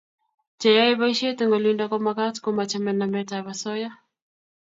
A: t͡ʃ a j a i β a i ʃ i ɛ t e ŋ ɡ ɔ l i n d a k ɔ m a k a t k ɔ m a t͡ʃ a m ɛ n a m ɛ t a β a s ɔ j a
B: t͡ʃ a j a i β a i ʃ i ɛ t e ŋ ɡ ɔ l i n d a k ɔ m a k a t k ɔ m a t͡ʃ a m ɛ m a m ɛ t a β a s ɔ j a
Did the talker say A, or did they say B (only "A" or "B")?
A